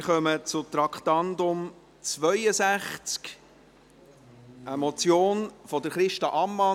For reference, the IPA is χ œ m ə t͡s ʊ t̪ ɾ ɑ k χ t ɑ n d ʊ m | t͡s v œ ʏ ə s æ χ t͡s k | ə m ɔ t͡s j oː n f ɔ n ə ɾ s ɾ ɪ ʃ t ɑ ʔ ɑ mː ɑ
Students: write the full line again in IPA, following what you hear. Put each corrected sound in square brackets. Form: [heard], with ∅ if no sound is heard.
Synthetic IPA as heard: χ œ m ə t͡s ʊ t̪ ɾ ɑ k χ t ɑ n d ʊ m | t͡s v œ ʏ ə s æ χ t͡s k | ə m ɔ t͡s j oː n f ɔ [d] ə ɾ [χ] ɾ ɪ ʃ t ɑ ʔ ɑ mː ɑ